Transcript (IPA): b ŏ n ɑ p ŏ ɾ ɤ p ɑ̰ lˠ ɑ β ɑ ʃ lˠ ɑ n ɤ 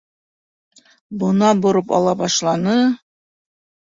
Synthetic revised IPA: b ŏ n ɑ b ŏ ɾ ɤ p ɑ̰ lˠ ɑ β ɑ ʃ lˠ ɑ n ɤ